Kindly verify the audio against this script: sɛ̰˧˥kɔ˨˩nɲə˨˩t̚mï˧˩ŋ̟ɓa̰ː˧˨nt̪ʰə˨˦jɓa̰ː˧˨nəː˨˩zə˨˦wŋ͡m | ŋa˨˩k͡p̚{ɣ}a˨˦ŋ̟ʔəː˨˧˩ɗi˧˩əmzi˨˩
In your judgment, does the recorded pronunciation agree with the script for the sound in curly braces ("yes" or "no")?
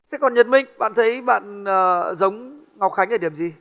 no